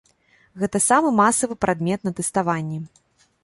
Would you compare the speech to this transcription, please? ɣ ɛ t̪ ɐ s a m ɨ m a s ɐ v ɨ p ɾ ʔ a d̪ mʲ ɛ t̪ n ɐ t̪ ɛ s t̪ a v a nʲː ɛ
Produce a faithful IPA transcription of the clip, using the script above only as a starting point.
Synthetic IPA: ɣ ɛ t̪ ɐ s a m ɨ m a s ɐ v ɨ p ɾ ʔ a d̪ mʲ ɛ t̪ n ɐ t̪ ɛ s t̪ a v a nʲː ɛ